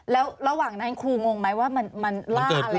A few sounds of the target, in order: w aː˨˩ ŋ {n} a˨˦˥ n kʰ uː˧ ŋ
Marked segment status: correct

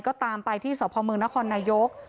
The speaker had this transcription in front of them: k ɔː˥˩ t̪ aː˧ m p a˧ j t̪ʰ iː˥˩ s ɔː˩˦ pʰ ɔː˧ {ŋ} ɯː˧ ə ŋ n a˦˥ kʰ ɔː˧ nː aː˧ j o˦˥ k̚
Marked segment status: incorrect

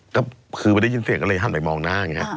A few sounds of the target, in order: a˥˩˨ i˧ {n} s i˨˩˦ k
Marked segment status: correct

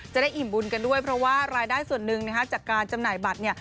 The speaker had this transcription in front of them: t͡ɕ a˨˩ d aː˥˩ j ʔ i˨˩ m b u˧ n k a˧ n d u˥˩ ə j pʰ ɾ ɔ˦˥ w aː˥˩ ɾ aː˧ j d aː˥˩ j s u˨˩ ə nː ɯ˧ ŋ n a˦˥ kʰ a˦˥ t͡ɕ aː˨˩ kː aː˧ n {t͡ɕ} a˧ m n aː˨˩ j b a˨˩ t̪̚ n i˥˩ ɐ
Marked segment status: correct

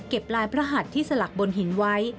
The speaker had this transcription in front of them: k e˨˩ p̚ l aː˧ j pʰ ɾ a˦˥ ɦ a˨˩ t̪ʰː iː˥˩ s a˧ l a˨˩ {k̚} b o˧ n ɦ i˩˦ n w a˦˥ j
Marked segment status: correct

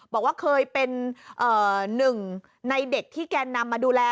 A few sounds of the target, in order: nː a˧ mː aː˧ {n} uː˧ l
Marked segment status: incorrect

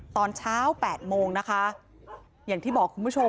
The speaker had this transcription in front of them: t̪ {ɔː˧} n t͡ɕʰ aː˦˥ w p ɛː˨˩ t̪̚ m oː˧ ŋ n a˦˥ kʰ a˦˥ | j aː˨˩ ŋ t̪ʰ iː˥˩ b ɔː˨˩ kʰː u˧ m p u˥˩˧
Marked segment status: correct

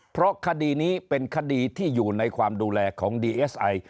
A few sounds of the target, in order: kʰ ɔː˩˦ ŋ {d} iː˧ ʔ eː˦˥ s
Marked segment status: correct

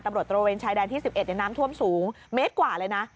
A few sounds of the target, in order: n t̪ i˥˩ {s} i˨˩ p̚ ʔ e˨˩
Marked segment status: correct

